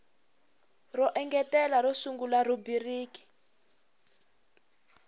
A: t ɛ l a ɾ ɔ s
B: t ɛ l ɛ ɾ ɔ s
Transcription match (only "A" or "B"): A